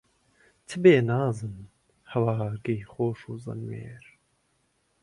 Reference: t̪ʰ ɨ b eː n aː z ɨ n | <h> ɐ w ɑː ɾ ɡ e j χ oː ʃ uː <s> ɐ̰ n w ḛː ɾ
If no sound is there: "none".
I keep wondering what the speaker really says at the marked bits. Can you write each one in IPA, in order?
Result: h, z

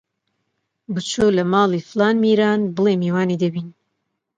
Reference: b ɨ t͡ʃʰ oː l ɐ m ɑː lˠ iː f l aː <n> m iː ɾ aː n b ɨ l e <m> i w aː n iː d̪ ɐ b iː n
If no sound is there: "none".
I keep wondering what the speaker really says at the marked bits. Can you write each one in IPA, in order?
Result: n, m

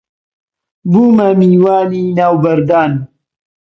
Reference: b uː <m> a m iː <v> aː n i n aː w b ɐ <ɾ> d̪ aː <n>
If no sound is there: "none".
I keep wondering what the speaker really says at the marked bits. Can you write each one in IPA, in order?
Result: m, w, ɾ, n

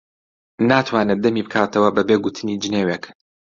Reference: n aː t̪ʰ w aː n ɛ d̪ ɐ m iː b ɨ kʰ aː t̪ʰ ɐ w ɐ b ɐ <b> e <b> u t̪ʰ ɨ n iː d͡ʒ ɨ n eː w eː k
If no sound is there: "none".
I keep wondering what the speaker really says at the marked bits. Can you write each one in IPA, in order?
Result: b, ɡ

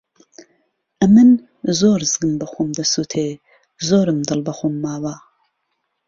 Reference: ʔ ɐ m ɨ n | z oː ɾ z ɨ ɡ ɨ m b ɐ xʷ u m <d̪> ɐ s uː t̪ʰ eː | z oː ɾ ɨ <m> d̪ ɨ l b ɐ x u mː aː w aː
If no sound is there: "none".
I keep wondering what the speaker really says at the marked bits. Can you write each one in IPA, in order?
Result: d̪, m

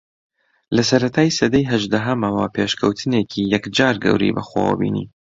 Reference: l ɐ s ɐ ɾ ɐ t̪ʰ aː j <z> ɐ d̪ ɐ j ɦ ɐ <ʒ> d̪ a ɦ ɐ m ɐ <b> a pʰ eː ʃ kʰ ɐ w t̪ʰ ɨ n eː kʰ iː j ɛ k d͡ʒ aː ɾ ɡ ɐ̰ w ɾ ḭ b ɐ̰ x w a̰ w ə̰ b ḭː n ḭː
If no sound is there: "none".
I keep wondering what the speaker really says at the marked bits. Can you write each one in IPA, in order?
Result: s, ʒ, w

